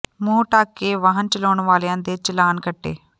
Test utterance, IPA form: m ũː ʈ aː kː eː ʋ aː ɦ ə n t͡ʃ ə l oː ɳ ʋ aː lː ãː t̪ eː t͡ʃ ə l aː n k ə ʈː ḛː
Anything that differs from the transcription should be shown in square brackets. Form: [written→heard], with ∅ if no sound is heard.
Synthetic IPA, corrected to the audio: m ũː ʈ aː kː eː ʋ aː ɦ ə n t͡ʃ ə l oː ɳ ʋ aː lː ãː [t̪→d̪] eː t͡ʃ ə l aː n k ə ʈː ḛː